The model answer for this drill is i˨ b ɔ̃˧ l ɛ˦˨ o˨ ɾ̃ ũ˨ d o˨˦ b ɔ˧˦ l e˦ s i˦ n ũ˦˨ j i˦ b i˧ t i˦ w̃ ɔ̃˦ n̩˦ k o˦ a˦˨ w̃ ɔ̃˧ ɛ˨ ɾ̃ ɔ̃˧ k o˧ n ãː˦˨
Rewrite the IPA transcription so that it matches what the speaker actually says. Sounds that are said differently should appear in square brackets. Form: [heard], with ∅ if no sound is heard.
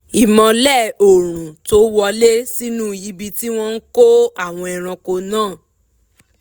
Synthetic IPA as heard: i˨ [m] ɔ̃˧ l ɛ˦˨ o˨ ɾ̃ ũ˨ [t] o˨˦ [w] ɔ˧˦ l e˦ s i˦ n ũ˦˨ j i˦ b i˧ t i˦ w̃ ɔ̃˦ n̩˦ k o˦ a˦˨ w̃ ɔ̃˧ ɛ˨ ɾ̃ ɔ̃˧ k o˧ n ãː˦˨

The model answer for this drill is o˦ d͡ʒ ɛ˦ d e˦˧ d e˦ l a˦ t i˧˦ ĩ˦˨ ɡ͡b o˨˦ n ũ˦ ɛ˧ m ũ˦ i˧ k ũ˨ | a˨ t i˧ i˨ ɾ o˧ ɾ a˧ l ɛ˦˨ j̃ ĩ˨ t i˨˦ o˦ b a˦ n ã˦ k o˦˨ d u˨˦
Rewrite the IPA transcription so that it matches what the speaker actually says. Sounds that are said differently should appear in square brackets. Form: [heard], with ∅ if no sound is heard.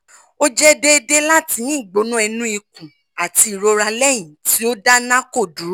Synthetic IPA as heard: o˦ d͡ʒ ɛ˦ d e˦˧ d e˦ l a˦ t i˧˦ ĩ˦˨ ɡ͡b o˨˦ n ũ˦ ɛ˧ [n] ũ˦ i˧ k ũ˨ | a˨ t i˧ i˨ ɾ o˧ ɾ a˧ l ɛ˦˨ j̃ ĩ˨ t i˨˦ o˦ [d] a˦ n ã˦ k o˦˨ d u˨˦

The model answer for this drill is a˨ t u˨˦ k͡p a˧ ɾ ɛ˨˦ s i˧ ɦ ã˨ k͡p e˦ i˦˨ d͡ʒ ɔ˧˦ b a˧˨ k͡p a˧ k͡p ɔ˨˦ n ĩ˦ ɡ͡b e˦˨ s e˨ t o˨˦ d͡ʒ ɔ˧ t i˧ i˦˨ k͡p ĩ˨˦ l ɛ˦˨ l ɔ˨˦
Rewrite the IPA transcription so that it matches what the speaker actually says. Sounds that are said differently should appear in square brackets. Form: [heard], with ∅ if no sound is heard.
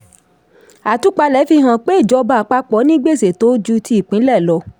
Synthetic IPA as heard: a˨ t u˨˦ k͡p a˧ [l] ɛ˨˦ [f] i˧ ɦ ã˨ k͡p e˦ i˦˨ d͡ʒ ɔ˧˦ b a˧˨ k͡p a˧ k͡p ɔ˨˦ n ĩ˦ ɡ͡b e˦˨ s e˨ t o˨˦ d͡ʒ [u˧] t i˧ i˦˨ k͡p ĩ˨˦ l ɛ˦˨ l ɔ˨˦

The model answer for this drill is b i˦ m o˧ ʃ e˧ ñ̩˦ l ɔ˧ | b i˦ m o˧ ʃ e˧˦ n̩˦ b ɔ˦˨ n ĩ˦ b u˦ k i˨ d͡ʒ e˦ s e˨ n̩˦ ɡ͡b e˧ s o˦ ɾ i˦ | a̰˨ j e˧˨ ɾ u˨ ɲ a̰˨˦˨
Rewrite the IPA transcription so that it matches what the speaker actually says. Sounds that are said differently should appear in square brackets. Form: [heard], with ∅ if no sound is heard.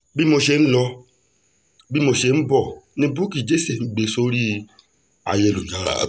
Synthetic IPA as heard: b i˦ m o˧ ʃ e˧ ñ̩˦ l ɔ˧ | b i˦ m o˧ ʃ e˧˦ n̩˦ b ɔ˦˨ n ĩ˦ b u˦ k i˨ d͡ʒ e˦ s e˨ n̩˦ ɡ͡b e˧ s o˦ ɾ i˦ | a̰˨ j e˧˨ [l] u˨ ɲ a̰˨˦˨

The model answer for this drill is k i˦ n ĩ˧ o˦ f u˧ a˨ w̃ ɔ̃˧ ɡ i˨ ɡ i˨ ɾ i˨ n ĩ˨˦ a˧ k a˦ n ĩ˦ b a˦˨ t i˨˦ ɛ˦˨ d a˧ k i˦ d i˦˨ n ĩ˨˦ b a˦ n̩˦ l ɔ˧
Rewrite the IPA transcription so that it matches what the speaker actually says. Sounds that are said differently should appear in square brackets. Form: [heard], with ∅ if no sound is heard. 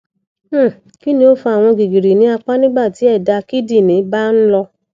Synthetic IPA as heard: k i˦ n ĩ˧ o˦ f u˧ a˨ w̃ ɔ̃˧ ɡ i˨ ɡ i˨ ɾ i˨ n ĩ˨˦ a˧ [k͡p] a˦ n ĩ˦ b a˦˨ t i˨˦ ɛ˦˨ d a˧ k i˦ d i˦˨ n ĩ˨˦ b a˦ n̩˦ l ɔ˧

